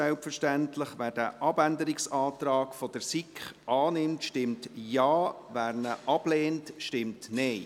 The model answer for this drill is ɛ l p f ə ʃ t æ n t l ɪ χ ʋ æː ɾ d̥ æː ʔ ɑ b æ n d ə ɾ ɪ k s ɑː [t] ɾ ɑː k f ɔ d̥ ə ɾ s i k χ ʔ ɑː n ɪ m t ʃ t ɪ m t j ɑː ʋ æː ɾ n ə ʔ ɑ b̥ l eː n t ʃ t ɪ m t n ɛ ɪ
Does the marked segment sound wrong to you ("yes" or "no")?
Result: no